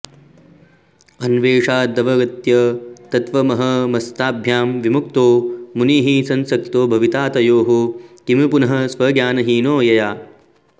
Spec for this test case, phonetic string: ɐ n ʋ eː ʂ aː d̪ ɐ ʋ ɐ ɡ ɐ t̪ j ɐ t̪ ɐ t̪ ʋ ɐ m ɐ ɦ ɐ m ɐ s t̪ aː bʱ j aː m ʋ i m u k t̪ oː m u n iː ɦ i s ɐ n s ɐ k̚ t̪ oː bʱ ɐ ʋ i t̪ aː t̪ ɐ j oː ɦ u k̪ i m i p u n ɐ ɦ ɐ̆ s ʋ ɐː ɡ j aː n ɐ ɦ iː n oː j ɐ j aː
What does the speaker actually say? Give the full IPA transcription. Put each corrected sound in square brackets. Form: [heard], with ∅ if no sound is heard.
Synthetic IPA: ɐ n ʋ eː ʂ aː d̪ ɐ ʋ ɐ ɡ ɐ t̪ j ɐ t̪ ɐ t̪ ʋ ɐ m ɐ ɦ ɐ m ɐ s t̪ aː bʱ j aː m ʋ i m u k t̪ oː m u n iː ɦ i s ɐ n s ɐ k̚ t̪ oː bʱ ɐ ʋ i t̪ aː t̪ ɐ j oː ɦ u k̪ i m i p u n ɐ ɦ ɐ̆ s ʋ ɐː ɡ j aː n ɐ ɦ iː n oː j ɐ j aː